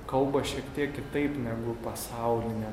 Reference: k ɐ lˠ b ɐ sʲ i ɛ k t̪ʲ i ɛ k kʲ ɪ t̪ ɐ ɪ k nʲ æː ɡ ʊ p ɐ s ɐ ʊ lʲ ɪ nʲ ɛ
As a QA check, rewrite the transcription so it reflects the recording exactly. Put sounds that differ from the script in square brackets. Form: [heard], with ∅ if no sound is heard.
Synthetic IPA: k ɐ lˠ b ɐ [ʃʲ] i ɛ k t̪ʲ i ɛ k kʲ ɪ t̪ ɐ ɪ [p] nʲ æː ɡ ʊ p ɐ s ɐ ʊ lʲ ɪ nʲ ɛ

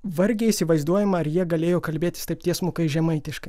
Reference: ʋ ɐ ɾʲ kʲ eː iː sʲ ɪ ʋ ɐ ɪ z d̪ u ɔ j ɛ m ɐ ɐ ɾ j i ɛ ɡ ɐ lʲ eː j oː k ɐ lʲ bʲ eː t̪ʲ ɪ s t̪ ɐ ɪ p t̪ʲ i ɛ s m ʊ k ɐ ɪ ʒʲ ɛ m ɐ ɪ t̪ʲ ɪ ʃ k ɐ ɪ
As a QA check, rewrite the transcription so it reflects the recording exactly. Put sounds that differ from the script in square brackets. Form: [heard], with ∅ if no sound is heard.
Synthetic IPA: ʋ ɐ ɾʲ [ɡʲ] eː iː sʲ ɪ ʋ ɐ ɪ z d̪ u ɔ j ɛ m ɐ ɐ ɾ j i ɛ ɡ ɐ lʲ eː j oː k ɐ lʲ bʲ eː t̪ʲ ɪ s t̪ ɐ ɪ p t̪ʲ i ɛ s m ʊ k ɐ ɪ ʒʲ ɛ m ɐ ɪ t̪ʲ ɪ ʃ k ɐ ɪ

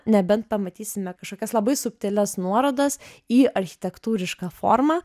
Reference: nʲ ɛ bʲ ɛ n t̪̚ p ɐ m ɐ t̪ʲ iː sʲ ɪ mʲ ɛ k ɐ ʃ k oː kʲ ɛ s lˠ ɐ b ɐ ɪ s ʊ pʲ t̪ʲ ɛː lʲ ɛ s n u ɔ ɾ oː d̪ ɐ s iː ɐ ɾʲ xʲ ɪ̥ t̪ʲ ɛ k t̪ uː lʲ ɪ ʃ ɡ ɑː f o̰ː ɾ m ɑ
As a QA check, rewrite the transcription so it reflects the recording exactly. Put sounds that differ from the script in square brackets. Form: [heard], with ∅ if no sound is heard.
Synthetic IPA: nʲ ɛ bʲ ɛ n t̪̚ p ɐ m ɐ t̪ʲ iː sʲ ɪ mʲ ɛ k ɐ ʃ k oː kʲ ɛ s lˠ ɐ b ɐ ɪ s ʊ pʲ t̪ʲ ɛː lʲ ɛ s n u ɔ ɾ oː d̪ ɐ s iː ɐ ɾʲ xʲ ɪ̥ t̪ʲ ɛ k t̪ uː [ɾʲ] ɪ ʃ [k] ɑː f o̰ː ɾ m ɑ

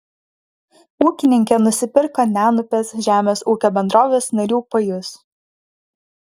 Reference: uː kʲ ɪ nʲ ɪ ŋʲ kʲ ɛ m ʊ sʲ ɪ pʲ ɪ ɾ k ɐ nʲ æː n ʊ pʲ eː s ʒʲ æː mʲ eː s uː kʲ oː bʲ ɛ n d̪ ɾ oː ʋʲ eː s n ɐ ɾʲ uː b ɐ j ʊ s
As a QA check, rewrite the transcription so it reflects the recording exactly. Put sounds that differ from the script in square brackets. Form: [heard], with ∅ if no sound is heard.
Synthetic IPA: uː kʲ ɪ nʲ ɪ ŋʲ kʲ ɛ [n] ʊ sʲ ɪ pʲ ɪ ɾ k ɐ nʲ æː n ʊ pʲ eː s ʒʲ æː mʲ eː s uː kʲ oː bʲ ɛ n d̪ ɾ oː ʋʲ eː s n ɐ ɾʲ uː [p] ɐ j ʊ s

